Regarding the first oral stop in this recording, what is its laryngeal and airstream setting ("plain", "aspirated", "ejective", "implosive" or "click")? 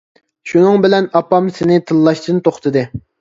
plain